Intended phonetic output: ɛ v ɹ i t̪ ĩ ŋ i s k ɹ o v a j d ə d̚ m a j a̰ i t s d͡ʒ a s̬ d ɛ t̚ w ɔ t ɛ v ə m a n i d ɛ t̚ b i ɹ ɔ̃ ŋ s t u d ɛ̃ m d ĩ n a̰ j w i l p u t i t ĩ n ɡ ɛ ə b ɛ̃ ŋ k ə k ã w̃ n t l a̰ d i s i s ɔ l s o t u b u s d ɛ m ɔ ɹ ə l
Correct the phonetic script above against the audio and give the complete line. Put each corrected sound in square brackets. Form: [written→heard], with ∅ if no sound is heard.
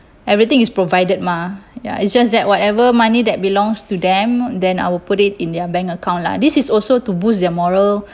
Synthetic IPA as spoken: ɛ v ɹ i t̪ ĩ ŋ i s [k→p] ɹ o v a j d ə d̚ m a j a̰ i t s d͡ʒ a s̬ d ɛ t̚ w ɔ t ɛ v ə m a n i d ɛ t̚ b i [ɹ→l] ɔ̃ ŋ s t u d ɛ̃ m d [ĩ→ɛ̃] n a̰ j w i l p u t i t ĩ n [ɡ→d] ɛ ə b ɛ̃ ŋ k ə k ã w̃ n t l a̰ d i s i s ɔ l s o t u b u s d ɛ m ɔ ɹ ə l